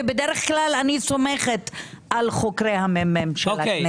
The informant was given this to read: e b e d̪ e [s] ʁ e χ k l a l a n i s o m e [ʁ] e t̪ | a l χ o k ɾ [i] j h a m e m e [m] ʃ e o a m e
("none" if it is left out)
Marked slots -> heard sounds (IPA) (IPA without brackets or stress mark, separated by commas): none, χ, e, m